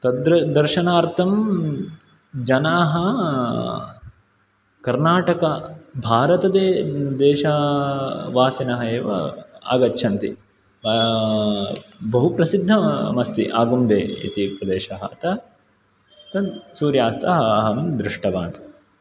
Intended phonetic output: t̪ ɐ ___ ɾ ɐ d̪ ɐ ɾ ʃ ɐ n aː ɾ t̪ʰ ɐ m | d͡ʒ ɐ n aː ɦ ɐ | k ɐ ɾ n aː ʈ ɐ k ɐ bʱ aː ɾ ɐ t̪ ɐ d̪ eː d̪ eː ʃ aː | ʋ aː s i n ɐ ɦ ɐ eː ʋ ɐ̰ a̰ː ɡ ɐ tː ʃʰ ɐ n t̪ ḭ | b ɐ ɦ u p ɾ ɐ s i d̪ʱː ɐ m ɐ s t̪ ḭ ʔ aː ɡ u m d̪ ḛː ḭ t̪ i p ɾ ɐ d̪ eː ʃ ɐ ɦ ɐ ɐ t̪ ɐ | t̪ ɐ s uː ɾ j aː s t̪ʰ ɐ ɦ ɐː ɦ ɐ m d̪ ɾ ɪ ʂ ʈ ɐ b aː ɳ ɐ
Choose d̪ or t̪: d̪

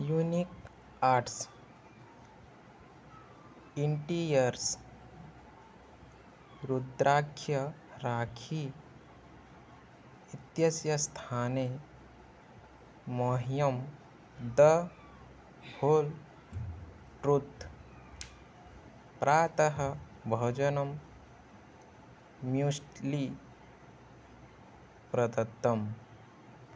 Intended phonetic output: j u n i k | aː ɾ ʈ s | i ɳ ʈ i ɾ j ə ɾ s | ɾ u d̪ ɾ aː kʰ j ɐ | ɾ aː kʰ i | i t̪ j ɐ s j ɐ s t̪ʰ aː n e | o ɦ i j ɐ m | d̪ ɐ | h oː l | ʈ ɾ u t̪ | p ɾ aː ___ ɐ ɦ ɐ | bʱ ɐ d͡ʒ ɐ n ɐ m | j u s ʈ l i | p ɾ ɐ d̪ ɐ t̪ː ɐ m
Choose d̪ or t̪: t̪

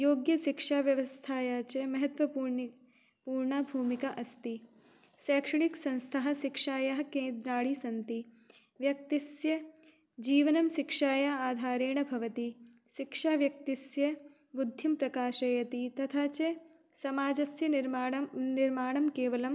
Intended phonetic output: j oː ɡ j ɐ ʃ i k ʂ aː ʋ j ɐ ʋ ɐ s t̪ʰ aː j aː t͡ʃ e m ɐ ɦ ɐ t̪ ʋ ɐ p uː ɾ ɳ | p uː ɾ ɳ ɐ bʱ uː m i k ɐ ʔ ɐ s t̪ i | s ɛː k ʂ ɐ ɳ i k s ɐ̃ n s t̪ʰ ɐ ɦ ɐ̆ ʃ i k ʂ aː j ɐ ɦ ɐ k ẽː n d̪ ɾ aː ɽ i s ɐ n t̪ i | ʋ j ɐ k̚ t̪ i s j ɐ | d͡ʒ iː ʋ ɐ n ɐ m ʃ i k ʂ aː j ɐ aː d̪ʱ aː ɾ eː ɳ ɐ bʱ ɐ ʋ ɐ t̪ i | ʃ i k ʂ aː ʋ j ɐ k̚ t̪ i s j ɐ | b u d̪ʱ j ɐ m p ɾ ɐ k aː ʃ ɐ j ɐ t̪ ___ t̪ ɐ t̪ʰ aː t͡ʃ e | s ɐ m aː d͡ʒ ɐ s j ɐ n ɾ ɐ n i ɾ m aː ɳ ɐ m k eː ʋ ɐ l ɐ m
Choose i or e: i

